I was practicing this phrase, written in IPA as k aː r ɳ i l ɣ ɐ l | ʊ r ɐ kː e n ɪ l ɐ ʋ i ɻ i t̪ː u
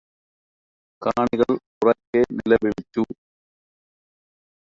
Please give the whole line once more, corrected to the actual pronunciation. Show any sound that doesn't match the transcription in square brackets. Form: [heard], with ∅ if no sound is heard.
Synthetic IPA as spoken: k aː [∅] ɳ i [∅] ɣ ɐ [ɭ] | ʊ r ɐ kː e n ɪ l ɐ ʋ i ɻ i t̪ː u

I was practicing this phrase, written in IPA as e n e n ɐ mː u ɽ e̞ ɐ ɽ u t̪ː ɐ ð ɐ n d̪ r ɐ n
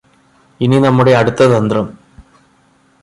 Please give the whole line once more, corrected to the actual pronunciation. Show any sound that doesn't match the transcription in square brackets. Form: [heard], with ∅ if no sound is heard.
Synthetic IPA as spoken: [i] n [i] n ɐ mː u ɽ e̞ ɐ ɽ u t̪ː ɐ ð ɐ n d̪ r ɐ [m]

